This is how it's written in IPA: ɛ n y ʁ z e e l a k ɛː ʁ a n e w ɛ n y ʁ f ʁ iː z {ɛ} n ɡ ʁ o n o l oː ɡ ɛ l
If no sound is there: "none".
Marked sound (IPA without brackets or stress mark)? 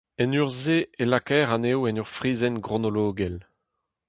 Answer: ɛ